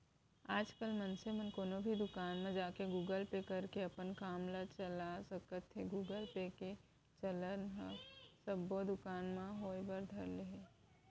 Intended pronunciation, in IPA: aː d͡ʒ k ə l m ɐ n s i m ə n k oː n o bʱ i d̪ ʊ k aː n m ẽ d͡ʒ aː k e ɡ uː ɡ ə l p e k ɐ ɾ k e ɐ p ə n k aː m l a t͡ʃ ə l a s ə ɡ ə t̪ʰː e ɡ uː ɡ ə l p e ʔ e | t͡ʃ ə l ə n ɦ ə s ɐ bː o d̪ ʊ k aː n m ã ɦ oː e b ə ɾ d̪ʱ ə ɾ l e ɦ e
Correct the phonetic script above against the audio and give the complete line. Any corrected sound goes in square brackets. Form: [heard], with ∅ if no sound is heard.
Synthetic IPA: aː d͡ʒ k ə l m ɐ n s [e] m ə n k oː n o bʱ i d̪ ʊ k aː n m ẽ d͡ʒ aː k e ɡ uː ɡ ə l p e k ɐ ɾ k e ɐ p ə n k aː m l a t͡ʃ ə l a s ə [k] ə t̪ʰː e ɡ uː ɡ ə l p e [k] e | t͡ʃ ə l ə n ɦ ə s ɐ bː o d̪ ʊ k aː n m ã ɦ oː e b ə ɾ d̪ʱ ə ɾ l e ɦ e